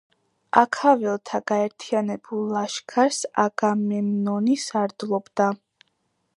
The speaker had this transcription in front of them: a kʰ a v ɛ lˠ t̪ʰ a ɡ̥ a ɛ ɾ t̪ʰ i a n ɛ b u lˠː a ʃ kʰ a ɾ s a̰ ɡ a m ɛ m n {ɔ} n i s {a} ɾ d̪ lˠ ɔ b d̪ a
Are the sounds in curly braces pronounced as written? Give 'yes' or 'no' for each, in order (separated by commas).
yes, yes